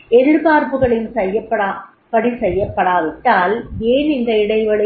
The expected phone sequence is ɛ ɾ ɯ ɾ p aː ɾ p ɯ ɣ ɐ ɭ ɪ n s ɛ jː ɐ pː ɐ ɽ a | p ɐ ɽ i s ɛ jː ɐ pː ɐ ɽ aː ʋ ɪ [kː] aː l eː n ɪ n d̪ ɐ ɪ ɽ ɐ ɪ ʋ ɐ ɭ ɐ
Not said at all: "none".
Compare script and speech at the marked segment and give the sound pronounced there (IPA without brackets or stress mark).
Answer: ʈː